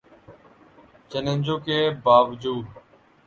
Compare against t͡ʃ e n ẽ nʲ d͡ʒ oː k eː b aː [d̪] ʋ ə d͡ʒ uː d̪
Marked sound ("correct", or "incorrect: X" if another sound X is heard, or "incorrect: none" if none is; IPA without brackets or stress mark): incorrect: none